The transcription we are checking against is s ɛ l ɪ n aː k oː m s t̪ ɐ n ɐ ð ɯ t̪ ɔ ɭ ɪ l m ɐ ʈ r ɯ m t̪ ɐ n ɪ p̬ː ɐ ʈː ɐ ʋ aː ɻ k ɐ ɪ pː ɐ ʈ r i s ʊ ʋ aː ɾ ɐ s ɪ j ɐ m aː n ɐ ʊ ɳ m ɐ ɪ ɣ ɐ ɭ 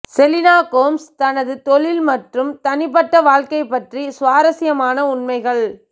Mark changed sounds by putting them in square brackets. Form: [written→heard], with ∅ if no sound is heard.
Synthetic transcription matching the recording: s ɛ l ɪ n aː k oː m s t̪ ɐ n ɐ ð ɯ t̪ ɔ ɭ ɪ l m ɐ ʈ r ɯ m t̪ ɐ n ɪ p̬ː ɐ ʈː ɐ ʋ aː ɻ k ɐ ɪ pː ɐ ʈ r i s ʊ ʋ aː ɾ ɐ s ɪ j ɐ m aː n ɐ ʊ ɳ m ɐ ɪ ɣ ɐ ɭ